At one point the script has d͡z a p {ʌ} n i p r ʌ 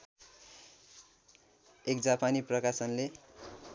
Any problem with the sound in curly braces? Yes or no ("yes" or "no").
yes